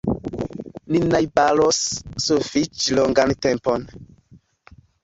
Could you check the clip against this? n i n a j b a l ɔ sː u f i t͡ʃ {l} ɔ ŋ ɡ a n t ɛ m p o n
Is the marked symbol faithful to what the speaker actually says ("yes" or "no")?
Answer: yes